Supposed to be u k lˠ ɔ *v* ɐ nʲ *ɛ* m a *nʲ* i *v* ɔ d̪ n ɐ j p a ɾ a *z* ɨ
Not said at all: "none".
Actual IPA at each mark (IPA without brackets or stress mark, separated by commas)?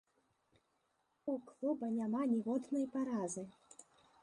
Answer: b, a, nʲ, ɣ, z